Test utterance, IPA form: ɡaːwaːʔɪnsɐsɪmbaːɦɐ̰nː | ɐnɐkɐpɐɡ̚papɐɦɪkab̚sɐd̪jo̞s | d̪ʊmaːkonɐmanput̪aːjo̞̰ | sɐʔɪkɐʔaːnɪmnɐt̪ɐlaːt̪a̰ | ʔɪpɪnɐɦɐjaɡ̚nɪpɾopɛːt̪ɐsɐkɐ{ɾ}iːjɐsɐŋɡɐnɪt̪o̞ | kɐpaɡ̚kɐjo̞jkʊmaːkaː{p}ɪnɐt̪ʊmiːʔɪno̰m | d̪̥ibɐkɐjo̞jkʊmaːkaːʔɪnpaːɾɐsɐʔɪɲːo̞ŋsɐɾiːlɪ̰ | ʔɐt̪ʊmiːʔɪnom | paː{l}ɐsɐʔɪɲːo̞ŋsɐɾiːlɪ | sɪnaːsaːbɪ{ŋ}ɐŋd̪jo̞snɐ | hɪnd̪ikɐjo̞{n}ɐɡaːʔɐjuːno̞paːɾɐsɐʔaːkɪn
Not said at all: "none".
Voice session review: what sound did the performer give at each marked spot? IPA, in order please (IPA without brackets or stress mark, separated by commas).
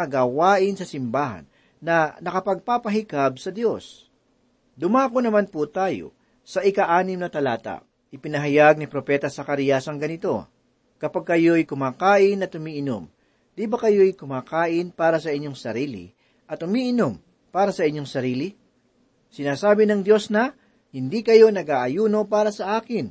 ɾ, ʔ, ɾ, n, n